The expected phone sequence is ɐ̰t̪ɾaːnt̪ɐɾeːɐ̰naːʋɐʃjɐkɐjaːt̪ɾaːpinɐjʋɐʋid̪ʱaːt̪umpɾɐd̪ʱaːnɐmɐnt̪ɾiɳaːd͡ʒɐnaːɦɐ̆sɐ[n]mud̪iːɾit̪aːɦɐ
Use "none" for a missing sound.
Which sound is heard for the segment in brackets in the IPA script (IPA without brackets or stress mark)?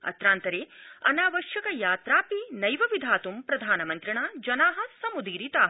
none